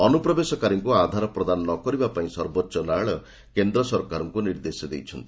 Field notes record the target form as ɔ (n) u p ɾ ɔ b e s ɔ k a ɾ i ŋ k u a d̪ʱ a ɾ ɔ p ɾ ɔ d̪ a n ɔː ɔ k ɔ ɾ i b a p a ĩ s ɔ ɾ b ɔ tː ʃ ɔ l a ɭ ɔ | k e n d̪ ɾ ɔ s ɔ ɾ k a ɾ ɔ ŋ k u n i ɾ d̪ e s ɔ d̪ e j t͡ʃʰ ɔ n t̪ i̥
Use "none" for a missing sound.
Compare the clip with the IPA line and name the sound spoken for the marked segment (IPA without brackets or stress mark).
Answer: n